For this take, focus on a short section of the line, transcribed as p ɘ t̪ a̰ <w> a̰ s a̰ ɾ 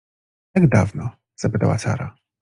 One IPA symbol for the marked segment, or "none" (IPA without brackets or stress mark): w